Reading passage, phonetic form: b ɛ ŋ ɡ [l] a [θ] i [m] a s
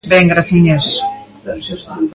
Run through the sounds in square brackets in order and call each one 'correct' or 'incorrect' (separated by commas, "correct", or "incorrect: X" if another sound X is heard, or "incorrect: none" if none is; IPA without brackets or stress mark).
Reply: incorrect: ɾ, correct, incorrect: ɲ